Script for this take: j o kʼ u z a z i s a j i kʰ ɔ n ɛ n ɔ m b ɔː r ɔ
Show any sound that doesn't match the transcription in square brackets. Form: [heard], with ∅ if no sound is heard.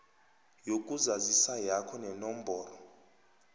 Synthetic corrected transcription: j o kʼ u z a z i s a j [a] kʰ ɔ n ɛ n ɔ m b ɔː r ɔ